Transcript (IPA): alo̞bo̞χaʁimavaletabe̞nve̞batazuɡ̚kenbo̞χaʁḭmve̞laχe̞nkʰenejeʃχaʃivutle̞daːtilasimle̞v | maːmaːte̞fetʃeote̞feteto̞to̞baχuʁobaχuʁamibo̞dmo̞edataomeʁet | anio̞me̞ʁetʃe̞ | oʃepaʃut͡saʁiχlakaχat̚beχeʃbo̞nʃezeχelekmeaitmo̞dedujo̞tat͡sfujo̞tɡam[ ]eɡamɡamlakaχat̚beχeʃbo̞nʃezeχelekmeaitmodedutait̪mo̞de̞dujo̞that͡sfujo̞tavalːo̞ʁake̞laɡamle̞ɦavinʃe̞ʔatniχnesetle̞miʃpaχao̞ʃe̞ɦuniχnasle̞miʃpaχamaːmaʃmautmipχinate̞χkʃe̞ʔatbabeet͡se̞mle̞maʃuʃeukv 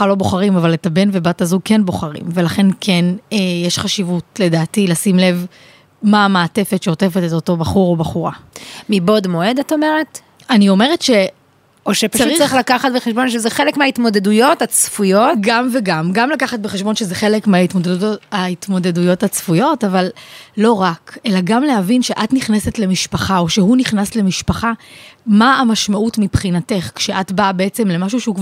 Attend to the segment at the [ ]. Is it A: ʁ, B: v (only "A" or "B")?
B